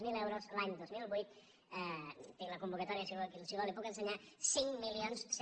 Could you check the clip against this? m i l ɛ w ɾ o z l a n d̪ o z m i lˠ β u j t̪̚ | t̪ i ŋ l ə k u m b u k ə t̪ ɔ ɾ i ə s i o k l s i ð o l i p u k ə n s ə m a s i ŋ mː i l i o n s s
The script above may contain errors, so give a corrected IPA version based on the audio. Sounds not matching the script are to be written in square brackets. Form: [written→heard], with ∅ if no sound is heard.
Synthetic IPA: m i l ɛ w ɾ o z l a [n→ɲ] d̪ o z m i lˠ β u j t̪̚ | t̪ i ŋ l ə k u m b u k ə t̪ ɔ ɾ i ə s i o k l s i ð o l i p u k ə n s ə [m→ɲ] a s i ŋ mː i l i o n s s